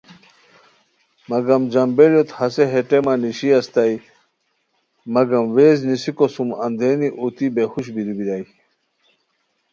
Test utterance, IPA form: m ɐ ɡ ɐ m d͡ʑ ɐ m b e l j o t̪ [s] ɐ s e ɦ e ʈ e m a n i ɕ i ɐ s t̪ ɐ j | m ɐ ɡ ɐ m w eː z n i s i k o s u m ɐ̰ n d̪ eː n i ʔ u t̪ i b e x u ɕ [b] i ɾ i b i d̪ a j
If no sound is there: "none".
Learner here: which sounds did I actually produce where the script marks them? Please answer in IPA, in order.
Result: h, b

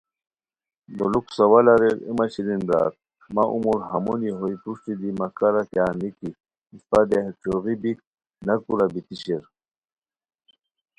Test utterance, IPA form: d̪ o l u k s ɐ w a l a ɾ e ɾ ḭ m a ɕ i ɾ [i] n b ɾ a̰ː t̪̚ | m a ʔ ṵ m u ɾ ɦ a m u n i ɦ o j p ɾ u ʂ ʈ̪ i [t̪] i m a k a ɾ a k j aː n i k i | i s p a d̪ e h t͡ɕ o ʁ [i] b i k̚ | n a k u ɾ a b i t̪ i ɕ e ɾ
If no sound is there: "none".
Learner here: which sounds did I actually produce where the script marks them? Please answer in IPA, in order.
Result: i, d̪, i

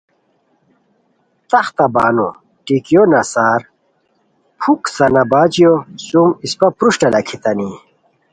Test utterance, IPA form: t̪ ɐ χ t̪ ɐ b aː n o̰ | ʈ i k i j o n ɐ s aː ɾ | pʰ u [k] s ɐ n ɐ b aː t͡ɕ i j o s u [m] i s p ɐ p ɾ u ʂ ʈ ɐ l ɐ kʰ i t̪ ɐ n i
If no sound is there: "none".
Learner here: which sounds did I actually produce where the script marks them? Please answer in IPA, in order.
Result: k, m

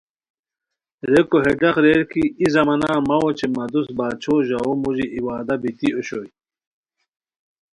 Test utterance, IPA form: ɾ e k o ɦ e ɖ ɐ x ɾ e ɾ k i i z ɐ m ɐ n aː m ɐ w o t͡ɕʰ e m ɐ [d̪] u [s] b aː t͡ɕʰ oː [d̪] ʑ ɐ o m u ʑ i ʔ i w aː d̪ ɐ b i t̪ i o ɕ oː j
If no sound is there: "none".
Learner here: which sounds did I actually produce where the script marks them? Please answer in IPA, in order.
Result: d̪, s, none

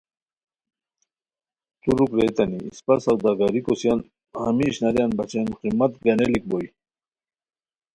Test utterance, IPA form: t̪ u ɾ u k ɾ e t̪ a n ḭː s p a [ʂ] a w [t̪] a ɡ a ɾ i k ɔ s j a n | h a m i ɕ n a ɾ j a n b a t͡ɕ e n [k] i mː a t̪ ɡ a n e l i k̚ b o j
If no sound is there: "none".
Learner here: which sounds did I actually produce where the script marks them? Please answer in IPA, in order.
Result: s, d̪, q

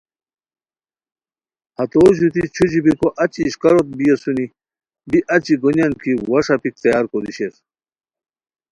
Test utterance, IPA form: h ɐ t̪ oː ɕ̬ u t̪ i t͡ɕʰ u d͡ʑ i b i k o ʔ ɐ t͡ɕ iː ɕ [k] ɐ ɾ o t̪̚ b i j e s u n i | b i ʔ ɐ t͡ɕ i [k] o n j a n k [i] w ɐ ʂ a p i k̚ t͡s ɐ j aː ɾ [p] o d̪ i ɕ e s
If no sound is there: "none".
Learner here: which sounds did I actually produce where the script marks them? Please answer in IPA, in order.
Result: k, ɡ, i, k

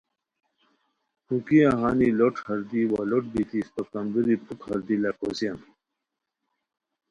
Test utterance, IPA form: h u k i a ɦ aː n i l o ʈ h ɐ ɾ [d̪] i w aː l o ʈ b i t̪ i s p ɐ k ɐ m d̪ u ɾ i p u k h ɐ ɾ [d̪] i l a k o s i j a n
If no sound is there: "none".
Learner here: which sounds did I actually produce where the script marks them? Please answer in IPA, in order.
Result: d̪, d̪

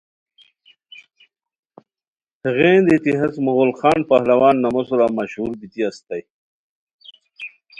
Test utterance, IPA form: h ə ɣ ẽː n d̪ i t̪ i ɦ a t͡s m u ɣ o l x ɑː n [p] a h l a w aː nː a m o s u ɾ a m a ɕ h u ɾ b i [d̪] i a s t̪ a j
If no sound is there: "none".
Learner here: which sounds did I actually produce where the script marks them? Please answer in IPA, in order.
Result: p, t̪

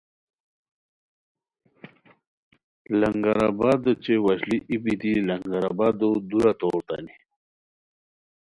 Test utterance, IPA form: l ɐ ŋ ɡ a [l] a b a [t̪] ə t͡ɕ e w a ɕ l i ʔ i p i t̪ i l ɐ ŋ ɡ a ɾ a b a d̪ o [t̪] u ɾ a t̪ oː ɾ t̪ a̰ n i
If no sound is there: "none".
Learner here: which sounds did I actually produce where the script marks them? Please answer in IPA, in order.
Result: ɾ, d̪, d̪

